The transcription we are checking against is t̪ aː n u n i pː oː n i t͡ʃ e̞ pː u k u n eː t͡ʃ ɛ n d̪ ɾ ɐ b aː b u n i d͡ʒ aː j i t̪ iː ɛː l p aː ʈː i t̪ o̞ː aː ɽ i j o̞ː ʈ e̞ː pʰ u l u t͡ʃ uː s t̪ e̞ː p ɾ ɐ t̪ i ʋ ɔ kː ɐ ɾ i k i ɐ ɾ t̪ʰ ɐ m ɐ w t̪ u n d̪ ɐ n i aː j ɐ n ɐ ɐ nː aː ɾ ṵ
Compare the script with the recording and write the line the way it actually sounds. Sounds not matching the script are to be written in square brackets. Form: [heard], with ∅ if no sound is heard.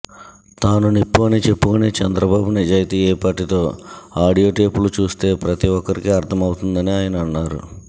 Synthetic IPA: t̪ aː n u n i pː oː n i t͡ʃ e̞ pː u k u n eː t͡ʃ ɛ n d̪ ɾ ɐ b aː b u n i d͡ʒ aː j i t̪ iː ɛː [∅] p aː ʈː i t̪ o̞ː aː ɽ i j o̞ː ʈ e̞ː [p] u l u t͡ʃ uː s t̪ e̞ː p ɾ ɐ t̪ i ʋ ɔ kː ɐ ɾ i k i ɐ ɾ t̪ʰ ɐ m ɐ w t̪ u n d̪ ɐ n i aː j ɐ n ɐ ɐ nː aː ɾ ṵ